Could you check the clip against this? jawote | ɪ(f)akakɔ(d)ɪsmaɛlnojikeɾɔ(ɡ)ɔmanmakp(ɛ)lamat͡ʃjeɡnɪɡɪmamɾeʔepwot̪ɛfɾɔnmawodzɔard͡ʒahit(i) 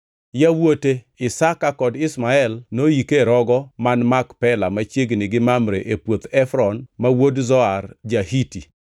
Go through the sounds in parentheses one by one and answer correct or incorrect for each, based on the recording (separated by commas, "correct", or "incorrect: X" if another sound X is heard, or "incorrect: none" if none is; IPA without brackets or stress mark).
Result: incorrect: s, correct, correct, correct, correct